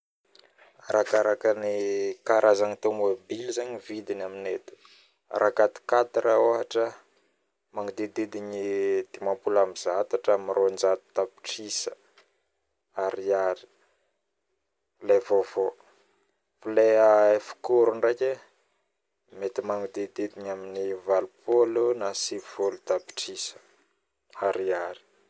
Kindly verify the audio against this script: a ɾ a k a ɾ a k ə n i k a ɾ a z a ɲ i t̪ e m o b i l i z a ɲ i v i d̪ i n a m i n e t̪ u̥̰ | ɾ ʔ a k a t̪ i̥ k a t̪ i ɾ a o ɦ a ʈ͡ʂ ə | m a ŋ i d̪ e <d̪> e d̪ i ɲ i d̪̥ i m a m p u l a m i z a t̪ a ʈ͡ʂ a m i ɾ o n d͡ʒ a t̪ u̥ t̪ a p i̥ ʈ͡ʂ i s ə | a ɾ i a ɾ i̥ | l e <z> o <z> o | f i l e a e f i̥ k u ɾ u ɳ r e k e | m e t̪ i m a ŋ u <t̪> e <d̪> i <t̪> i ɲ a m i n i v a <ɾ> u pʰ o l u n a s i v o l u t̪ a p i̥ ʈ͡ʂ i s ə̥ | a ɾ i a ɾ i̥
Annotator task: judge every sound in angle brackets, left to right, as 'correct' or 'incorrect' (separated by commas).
correct, incorrect, incorrect, incorrect, correct, incorrect, incorrect